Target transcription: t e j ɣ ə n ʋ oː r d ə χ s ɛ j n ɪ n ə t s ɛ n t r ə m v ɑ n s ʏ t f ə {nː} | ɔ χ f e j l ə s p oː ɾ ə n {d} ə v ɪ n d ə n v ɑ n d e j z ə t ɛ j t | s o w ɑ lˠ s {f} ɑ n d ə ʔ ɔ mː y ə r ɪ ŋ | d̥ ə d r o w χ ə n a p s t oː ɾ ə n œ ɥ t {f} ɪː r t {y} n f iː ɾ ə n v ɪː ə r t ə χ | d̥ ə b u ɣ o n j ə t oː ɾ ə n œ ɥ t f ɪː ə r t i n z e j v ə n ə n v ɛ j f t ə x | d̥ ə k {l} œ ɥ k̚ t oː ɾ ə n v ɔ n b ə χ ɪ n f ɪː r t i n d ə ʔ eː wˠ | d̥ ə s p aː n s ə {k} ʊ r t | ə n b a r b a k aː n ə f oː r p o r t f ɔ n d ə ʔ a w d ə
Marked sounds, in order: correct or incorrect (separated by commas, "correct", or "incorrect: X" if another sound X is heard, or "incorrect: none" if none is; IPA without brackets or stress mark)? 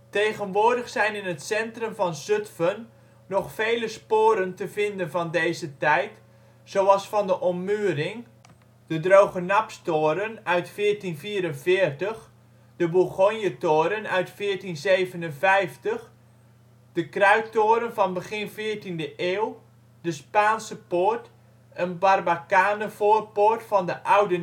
correct, incorrect: t, correct, correct, incorrect: i, incorrect: r, incorrect: p